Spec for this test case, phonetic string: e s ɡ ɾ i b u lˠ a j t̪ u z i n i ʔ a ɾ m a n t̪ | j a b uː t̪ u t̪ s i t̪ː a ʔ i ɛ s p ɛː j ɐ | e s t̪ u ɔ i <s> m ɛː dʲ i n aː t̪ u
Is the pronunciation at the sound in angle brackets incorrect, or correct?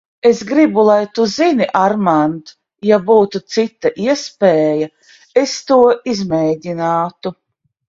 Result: incorrect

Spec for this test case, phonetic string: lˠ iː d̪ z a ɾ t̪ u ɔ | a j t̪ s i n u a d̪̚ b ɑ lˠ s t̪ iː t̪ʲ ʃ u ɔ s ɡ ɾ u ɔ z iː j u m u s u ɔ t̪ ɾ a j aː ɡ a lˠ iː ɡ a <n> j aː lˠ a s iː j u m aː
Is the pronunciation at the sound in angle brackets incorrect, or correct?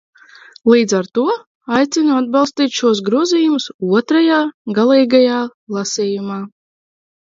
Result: incorrect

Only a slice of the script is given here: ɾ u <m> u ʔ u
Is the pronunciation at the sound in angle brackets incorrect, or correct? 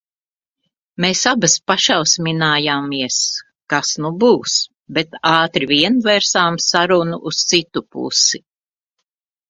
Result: incorrect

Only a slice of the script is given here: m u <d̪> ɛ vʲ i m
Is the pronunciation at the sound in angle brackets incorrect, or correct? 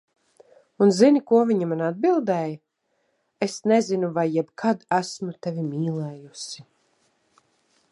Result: incorrect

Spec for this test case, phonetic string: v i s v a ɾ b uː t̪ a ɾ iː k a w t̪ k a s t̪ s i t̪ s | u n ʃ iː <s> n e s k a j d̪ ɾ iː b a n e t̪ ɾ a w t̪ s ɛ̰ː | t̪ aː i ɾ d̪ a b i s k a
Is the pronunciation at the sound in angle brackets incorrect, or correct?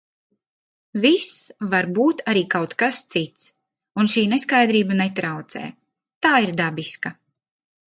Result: incorrect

